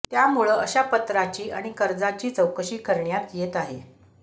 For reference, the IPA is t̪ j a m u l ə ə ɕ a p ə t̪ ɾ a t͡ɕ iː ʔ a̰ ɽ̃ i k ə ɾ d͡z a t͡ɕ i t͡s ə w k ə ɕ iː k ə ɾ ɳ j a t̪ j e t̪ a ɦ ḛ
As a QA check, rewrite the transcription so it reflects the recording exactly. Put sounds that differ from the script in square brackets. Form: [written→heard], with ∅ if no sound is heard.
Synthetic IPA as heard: t̪ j a m u [l→ɭ] ə ə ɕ a p ə t̪ ɾ a t͡ɕ iː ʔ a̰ ɽ̃ i k ə ɾ d͡z a t͡ɕ [i→iː] t͡s ə w k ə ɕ iː k ə ɾ ɳ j a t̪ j e t̪ a ɦ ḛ